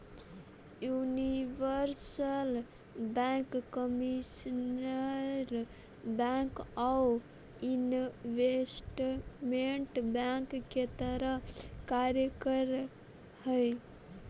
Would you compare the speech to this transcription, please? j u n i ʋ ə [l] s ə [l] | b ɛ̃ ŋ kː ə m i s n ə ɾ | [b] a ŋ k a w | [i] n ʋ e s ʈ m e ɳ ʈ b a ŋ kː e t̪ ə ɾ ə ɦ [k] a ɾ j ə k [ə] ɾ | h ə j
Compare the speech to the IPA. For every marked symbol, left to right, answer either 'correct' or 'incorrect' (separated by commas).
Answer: incorrect, correct, correct, correct, correct, correct